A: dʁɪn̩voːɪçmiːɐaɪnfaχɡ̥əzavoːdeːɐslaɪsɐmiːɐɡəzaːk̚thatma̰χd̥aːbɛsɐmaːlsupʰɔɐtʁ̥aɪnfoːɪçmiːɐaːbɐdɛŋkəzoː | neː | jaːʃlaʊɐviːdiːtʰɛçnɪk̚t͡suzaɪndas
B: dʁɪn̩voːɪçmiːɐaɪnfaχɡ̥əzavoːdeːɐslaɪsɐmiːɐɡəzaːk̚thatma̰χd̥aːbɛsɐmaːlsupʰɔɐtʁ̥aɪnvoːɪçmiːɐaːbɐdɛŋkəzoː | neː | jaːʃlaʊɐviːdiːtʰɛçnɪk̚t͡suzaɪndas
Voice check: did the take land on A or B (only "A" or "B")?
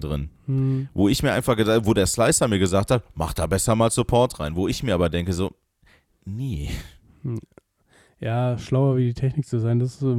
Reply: B